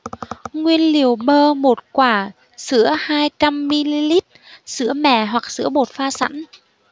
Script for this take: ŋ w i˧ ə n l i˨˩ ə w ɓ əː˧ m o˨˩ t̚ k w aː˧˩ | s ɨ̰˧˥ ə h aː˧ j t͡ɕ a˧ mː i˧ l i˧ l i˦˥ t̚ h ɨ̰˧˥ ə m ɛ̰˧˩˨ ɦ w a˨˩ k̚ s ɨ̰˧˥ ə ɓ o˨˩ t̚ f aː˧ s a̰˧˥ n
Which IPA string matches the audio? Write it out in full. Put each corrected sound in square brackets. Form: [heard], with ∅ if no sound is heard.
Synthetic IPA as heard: ŋ w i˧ ə n l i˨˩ ə w ɓ əː˧ m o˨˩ t̚ k w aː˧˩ | s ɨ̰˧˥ ə h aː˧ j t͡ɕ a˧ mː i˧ l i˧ l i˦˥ t̚ [s] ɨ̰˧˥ ə m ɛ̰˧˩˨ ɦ w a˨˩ k̚ s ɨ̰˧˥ ə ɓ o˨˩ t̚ f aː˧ s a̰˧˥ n